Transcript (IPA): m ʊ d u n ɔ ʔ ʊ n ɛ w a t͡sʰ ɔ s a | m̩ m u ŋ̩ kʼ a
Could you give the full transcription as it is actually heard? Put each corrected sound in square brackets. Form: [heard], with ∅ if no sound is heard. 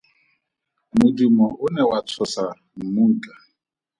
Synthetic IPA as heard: m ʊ d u [m] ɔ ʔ ʊ n ɛ w a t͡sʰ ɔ s a | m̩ m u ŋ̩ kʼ a